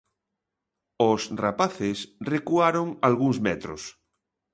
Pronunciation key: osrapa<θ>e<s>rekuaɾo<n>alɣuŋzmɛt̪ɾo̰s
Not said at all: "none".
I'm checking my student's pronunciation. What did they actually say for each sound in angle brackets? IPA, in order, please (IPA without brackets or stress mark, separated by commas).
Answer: θ, s, ŋ